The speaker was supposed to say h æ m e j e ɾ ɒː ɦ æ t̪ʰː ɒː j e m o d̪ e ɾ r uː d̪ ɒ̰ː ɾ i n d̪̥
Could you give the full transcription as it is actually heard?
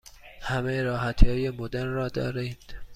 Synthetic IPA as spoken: h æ m e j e ɾ ɒː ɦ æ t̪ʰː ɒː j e m o d̪ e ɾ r ɒː d̪ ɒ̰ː ɾ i n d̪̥

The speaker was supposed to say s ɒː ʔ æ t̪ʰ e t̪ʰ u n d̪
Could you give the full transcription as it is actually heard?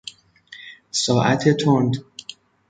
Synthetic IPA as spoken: s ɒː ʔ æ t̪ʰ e t̪ʰ o n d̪

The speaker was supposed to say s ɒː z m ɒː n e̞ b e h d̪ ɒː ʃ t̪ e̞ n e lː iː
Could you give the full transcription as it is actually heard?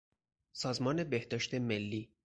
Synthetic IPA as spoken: s ɒː z m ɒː n e̞ b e h d̪ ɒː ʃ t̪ e̞ m e lː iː

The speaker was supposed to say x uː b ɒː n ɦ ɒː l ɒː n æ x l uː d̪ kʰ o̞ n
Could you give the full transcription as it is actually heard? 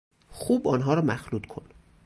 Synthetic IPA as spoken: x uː b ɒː n ɦ ɒː ɾ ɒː m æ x l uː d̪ kʰ o̞ n

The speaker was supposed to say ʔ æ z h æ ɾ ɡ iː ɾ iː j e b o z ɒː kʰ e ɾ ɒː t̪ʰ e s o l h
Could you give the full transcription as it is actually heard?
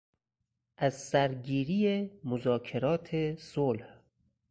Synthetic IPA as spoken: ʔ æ z s æ ɾ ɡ iː ɾ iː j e m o z ɒː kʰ e ɾ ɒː t̪ʰ e s o l h

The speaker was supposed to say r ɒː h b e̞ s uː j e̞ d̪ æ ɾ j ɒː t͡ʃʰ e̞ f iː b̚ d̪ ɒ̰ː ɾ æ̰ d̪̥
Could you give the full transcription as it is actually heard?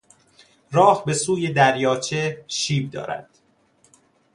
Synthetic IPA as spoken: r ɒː h b e̞ s uː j e̞ d̪ æ ɾ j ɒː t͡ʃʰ e̞ ʃ iː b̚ d̪ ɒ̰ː ɾ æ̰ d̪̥

